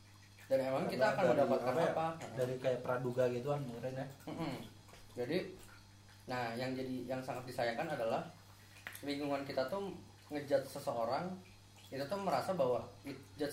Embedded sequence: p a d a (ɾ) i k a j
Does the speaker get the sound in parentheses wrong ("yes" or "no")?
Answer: no